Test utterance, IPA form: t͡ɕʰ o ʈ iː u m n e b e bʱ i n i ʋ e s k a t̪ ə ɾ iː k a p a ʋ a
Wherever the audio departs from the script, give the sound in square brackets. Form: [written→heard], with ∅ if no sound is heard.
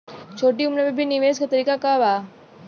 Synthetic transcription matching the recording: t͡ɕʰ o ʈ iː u m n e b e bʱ i n i ʋ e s k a t̪ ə ɾ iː k a [p→k] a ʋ a